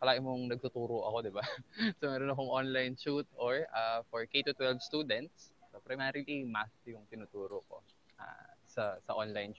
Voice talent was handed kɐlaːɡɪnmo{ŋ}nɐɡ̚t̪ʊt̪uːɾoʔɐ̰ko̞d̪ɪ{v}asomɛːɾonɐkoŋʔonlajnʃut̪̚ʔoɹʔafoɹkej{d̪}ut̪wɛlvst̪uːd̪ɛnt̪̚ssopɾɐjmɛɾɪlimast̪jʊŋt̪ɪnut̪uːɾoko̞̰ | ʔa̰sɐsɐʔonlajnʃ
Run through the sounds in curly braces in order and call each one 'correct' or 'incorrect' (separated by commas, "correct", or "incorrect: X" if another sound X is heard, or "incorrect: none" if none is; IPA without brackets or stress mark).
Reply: correct, incorrect: b, incorrect: t̪